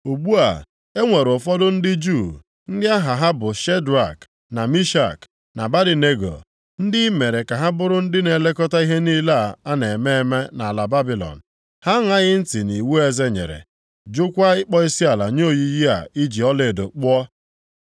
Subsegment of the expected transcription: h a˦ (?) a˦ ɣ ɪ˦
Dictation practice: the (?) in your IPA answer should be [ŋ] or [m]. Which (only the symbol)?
ŋ